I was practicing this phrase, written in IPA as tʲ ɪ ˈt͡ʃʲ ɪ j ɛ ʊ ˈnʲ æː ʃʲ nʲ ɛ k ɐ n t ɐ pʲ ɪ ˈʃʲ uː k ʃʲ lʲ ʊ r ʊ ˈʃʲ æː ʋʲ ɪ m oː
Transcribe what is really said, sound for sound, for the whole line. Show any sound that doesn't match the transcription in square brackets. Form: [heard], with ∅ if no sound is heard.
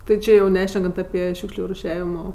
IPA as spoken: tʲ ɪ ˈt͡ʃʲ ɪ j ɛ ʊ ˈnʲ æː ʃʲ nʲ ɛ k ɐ n t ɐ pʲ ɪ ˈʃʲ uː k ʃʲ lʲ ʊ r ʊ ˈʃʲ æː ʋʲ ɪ m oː